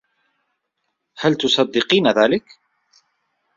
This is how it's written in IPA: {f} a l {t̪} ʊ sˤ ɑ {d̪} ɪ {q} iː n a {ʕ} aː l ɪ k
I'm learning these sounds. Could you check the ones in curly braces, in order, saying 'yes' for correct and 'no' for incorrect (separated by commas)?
no, yes, no, yes, no